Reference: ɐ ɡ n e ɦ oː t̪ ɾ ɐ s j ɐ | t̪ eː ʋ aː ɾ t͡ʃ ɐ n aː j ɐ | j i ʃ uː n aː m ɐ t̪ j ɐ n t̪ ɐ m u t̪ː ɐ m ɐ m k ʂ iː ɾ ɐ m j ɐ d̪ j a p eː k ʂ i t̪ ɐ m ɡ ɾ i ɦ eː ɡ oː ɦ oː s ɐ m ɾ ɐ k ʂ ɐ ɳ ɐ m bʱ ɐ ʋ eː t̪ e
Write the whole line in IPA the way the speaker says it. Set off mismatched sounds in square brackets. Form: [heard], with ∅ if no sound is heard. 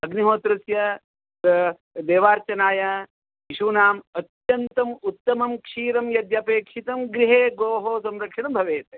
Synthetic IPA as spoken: ɐ ɡ n [i] ɦ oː t̪ ɾ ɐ s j ɐ | [d̪] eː ʋ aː ɾ t͡ʃ ɐ n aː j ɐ | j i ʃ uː n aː m ɐ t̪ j ɐ n t̪ ɐ m u t̪ː ɐ m ɐ m k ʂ iː ɾ ɐ m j ɐ d̪ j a p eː k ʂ i t̪ ɐ m ɡ ɾ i ɦ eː ɡ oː ɦ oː s ɐ m ɾ ɐ k ʂ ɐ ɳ ɐ m bʱ ɐ ʋ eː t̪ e